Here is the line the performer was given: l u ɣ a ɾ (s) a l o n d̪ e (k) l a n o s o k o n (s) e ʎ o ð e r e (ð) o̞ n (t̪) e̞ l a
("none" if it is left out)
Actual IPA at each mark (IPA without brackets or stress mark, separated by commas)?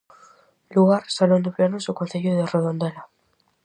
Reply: s, p, θ, ð, d̪